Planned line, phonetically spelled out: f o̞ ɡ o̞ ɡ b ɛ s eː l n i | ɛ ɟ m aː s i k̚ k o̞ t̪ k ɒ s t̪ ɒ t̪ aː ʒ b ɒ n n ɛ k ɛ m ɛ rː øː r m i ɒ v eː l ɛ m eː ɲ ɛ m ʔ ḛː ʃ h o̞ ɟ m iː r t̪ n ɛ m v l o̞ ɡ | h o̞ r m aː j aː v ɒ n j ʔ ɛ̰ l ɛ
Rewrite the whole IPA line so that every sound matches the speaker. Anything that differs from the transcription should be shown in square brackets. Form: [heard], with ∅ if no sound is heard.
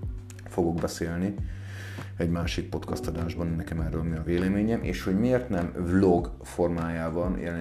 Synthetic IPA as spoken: f o̞ ɡ o̞ ɡ b ɛ s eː l n i | ɛ ɟ m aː [ʃ] i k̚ [p] o̞ t̪ k ɒ s t̪ ɒ [d̪] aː ʒ b ɒ n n ɛ k ɛ m ɛ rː øː [l] m i ɒ v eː l ɛ m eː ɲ ɛ m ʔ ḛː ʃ h o̞ ɟ m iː r t̪ n ɛ m v l o̞ ɡ | [f] o̞ r m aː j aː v ɒ n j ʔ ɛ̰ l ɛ